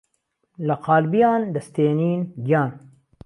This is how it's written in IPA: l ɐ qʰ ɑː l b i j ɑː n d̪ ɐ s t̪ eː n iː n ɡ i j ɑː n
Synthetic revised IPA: l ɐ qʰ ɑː l b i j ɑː n d̪ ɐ s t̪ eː n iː n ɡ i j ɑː n

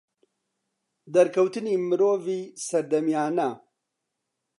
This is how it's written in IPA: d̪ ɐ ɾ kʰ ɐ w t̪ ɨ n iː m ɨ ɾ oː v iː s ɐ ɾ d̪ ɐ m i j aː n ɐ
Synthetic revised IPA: d̪ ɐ ɾ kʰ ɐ w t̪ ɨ n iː m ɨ ɾ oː v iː s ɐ ɾ d̪ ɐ m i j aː n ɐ

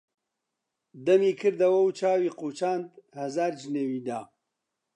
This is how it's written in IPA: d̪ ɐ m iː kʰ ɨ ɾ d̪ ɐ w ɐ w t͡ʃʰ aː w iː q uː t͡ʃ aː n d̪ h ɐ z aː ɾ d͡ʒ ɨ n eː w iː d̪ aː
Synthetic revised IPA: d̪ ɐ m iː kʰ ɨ ɾ d̪ ɐ w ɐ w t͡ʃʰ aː w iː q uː t͡ʃ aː n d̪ h ɐ z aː ɾ d͡ʒ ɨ n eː w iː d̪ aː

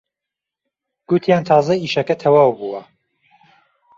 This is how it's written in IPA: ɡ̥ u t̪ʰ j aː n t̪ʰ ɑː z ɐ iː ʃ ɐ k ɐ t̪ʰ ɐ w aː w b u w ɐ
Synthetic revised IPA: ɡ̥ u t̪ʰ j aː n t̪ʰ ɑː z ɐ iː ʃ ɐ k ɐ t̪ʰ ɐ w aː w b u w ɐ

